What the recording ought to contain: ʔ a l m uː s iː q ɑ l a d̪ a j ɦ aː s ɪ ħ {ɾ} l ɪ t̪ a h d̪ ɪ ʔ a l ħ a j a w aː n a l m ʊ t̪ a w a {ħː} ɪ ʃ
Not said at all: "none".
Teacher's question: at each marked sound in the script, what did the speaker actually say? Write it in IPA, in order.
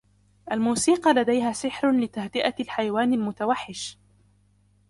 ɾ, ħː

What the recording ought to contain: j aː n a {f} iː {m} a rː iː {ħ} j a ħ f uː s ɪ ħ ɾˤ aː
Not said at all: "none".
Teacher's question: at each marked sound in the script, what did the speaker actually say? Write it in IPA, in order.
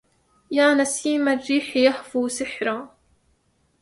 s, m, ħ

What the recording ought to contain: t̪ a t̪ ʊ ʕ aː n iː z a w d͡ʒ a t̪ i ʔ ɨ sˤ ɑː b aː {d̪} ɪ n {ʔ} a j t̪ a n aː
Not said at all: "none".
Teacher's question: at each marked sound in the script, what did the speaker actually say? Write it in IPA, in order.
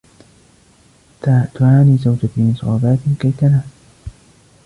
t̪, k

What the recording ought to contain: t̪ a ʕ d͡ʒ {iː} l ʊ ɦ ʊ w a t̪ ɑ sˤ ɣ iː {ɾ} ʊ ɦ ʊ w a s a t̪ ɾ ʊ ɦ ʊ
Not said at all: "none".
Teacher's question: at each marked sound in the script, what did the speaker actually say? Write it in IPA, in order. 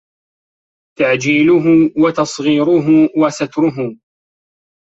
iː, ɾ

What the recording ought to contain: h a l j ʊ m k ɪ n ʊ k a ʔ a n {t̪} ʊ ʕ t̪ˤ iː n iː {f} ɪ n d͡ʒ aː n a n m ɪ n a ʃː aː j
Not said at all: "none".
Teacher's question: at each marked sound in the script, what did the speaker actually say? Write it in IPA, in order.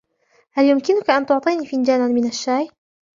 t̪, f

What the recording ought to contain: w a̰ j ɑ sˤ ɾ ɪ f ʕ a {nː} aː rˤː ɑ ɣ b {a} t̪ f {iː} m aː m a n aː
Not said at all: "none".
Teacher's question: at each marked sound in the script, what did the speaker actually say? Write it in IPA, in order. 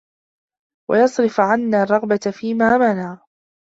nː, a, iː

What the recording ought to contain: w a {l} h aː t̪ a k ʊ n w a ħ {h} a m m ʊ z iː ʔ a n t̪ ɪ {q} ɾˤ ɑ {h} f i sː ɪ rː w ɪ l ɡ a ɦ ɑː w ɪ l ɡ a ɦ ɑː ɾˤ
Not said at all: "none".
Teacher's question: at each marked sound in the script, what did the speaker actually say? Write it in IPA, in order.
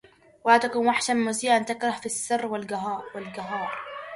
none, ʃ, k, h

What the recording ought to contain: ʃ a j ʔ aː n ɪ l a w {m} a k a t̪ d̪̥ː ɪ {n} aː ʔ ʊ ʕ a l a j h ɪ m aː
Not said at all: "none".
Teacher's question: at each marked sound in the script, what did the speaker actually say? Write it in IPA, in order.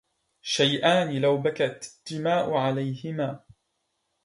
b, m

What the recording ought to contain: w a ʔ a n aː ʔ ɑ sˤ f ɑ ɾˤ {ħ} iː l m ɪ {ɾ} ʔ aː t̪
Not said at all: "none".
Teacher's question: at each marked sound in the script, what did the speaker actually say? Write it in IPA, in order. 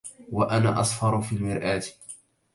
f, ɾ

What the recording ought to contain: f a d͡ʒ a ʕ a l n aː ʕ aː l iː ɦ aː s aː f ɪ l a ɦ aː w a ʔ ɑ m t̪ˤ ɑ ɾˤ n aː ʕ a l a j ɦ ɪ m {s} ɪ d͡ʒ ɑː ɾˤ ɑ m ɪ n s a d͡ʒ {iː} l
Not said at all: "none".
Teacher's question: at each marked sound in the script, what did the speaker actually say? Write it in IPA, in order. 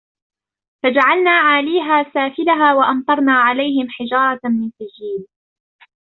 ħ, iː

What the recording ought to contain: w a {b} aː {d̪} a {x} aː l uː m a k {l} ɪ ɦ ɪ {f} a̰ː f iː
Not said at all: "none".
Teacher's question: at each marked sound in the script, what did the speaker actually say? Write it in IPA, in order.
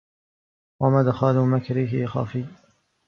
m, d̪, x, ɾ, x

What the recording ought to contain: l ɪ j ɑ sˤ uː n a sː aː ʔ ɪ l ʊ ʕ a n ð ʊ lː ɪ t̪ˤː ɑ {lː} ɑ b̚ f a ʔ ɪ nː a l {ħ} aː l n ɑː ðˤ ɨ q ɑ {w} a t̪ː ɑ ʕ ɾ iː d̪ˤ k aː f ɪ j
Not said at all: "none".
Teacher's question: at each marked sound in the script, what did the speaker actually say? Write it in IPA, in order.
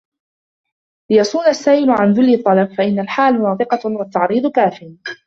l, ħ, w

